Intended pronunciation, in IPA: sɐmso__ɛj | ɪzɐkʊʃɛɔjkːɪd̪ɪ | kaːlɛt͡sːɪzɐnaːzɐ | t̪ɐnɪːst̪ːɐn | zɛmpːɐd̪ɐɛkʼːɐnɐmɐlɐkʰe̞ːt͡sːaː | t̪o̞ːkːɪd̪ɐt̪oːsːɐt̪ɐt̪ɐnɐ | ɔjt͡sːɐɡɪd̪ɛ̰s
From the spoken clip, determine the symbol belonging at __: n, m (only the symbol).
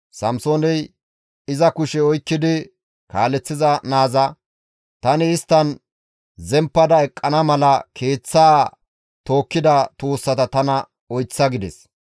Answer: n